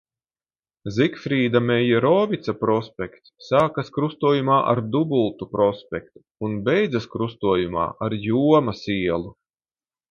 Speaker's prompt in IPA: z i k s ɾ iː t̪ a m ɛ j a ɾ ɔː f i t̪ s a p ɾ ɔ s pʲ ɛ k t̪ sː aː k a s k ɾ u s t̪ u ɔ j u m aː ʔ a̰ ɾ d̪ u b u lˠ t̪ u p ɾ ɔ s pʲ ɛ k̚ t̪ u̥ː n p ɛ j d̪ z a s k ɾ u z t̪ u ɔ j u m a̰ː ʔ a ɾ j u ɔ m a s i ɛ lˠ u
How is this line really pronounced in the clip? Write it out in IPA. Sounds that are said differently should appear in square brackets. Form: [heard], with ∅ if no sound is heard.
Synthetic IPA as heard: z i k [f] ɾ iː [d̪] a m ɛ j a ɾ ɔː [v] i t̪ s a p ɾ ɔ s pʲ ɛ k t̪ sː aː k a s k ɾ u s t̪ u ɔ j u m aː ʔ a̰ ɾ d̪ u b u lˠ t̪ u p ɾ ɔ s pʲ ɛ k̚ t̪ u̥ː n [b] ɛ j d̪ z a s k ɾ u [s] t̪ u ɔ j u m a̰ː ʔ a ɾ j u ɔ m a s i ɛ lˠ u